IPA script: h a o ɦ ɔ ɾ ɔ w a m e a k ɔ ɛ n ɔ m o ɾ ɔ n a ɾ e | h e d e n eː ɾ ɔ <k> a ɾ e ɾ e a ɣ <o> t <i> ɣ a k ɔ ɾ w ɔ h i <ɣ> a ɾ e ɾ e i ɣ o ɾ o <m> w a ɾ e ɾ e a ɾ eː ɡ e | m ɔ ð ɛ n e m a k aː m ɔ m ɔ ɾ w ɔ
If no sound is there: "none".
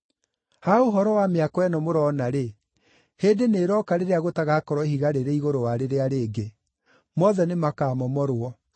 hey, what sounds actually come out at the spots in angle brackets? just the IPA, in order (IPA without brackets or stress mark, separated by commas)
k, o, a, ɣ, none